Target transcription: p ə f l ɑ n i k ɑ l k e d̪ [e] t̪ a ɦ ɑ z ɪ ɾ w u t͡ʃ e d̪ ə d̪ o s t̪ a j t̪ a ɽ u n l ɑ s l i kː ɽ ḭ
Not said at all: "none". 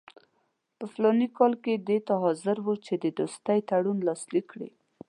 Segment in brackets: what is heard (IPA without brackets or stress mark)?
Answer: e